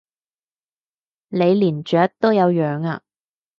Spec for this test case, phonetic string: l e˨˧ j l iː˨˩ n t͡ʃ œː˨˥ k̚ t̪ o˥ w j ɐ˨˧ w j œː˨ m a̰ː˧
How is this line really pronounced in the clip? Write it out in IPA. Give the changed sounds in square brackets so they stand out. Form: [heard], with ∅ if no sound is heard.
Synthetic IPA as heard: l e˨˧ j l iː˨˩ n t͡ʃ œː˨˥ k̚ t̪ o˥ w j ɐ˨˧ w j œː˨ [ŋ] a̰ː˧